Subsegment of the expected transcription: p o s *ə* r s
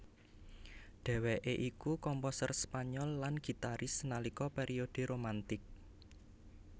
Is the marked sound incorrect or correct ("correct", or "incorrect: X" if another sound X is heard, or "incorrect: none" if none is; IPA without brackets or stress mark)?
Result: correct